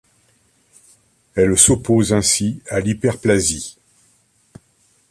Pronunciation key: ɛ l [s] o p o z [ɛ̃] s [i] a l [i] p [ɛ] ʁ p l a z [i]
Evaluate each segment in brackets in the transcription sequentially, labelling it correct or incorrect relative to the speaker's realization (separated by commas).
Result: correct, correct, correct, correct, correct, correct